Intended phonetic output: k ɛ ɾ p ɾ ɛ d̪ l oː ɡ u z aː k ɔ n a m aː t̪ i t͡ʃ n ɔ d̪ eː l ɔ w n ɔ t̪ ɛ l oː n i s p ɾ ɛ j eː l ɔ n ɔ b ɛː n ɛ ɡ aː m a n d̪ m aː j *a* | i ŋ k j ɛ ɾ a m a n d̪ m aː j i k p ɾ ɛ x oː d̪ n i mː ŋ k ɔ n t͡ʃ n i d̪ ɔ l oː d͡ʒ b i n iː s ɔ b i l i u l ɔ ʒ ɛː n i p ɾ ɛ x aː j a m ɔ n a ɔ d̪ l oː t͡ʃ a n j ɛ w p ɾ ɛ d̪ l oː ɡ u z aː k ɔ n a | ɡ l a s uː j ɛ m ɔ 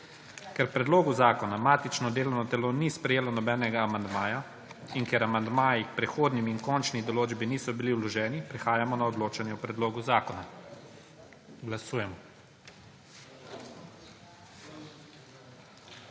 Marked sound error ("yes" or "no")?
no